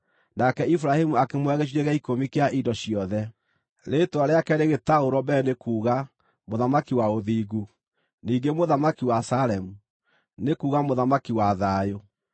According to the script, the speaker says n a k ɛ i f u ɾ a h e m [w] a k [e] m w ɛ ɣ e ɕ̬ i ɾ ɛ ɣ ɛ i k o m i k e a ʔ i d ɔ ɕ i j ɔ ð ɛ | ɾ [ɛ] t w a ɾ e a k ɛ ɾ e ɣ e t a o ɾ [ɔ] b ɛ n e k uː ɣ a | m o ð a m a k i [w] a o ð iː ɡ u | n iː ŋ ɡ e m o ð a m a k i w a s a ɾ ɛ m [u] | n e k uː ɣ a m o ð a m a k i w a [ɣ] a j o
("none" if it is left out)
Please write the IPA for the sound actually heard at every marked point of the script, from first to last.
u, e, e, ɔ, w, u, ð

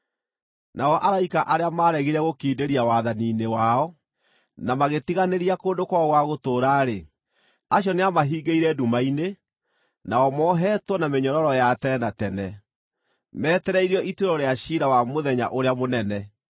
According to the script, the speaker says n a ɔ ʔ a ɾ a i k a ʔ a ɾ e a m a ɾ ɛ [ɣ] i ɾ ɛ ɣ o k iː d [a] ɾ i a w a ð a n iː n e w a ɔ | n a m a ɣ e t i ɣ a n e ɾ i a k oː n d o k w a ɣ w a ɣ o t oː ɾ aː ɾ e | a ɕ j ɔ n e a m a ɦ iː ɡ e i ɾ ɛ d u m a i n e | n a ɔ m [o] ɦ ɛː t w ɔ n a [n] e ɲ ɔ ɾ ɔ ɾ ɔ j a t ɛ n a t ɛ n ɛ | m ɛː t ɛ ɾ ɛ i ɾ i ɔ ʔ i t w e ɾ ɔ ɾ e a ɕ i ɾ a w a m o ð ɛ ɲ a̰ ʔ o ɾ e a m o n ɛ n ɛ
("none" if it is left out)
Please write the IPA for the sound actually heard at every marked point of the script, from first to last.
ɣ, e, ɔ, m

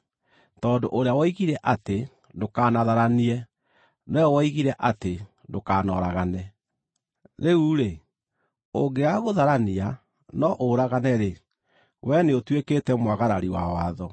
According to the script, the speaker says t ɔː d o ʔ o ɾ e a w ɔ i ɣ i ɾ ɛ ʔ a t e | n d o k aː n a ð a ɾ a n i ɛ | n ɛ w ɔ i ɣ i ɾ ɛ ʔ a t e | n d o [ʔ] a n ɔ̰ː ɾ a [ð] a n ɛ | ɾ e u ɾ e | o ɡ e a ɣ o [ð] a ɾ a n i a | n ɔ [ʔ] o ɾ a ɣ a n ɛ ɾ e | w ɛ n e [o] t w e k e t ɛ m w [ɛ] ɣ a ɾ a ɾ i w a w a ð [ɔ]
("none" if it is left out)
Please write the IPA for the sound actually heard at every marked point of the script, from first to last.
k, ɣ, ð, ʔ, o, a, ɔ

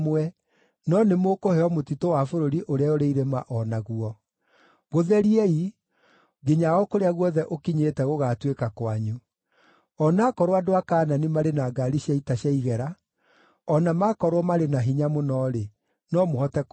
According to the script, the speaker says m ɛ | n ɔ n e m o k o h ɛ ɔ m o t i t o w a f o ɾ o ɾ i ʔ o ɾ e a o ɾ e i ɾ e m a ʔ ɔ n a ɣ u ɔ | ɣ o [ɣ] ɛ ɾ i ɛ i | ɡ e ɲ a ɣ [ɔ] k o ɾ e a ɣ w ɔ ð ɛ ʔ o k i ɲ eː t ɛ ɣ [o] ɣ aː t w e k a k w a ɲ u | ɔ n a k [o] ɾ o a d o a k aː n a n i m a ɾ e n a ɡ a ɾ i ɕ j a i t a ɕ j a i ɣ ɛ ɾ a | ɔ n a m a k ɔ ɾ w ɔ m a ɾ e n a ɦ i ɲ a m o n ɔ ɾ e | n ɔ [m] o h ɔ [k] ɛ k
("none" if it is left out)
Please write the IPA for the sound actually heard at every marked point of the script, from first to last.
ð, ɔ, o, ɔ, m, t

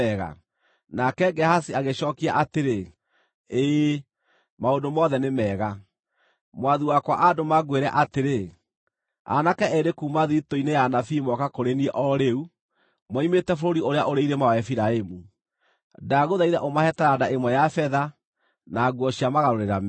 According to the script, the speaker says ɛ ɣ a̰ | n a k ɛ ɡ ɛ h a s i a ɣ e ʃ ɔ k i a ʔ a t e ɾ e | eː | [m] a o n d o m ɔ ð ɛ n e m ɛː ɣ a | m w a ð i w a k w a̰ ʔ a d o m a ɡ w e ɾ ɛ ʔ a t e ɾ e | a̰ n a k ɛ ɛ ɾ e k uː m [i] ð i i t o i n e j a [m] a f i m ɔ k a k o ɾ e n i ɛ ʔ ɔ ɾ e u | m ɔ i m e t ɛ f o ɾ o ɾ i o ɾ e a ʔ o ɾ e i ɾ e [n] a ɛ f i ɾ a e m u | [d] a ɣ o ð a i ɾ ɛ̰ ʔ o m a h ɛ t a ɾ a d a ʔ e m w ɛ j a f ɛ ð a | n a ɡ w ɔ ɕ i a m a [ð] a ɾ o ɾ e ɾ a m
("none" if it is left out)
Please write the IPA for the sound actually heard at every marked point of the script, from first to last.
m, a, n, m, d, ɣ

